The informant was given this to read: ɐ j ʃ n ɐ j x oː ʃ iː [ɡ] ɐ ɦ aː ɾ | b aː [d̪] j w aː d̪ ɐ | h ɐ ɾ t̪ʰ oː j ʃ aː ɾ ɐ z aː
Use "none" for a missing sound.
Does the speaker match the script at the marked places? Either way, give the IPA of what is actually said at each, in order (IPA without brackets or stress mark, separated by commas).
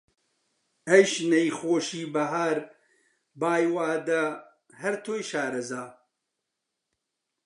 b, none